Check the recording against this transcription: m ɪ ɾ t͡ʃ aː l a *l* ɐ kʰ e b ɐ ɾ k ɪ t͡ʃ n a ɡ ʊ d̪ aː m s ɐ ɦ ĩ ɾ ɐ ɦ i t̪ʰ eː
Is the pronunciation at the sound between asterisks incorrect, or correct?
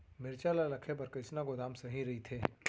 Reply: correct